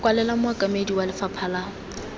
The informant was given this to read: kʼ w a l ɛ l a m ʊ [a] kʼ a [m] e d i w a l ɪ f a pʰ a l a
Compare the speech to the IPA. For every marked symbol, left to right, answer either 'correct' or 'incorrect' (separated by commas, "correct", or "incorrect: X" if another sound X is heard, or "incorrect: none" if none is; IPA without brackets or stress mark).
correct, correct